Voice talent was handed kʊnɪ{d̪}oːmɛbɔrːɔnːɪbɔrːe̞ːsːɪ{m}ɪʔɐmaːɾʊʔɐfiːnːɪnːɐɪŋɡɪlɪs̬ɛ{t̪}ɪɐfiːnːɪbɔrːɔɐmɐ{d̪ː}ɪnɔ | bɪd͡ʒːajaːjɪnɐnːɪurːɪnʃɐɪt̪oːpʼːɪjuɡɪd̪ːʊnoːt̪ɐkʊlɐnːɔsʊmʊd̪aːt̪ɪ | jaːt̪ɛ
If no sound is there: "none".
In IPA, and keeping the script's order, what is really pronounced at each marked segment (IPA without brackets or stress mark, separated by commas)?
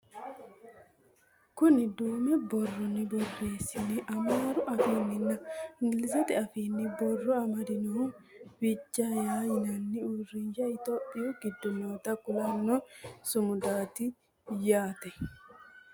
d̪, n, t̪, d̪